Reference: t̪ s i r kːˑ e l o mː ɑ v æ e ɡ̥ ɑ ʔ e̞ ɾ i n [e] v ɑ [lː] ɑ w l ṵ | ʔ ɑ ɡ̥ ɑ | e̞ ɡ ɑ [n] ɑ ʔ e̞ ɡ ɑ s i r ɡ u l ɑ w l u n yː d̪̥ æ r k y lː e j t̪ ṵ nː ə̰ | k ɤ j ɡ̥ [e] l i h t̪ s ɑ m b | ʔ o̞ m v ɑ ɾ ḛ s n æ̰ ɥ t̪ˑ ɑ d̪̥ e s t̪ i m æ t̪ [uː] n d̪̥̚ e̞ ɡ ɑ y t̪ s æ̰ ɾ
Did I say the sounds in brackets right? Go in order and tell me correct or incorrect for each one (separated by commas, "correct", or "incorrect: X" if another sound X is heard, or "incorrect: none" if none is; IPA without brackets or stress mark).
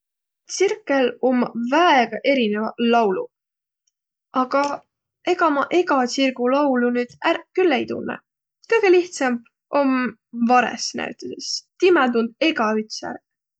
correct, incorrect: l, incorrect: m, correct, incorrect: u